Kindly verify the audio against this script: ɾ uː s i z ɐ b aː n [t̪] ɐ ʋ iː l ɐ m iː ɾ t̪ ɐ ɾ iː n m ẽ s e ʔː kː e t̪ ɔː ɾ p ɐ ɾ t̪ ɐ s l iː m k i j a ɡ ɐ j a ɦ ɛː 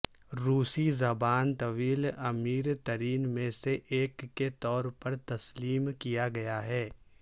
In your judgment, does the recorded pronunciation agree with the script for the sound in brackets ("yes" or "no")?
yes